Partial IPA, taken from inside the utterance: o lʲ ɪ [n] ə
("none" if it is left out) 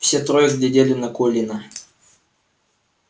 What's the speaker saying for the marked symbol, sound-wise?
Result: n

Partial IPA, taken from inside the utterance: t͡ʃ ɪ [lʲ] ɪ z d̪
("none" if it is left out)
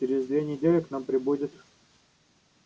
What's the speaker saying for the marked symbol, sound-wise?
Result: ɾʲ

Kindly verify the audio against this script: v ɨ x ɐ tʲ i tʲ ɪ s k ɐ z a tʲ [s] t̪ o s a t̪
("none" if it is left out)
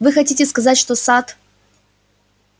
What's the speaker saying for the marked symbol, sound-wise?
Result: ʂ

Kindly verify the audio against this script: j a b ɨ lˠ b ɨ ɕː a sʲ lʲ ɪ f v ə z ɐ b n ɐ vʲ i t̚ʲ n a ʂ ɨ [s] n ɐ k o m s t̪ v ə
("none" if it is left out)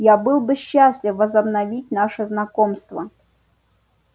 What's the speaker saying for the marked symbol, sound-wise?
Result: z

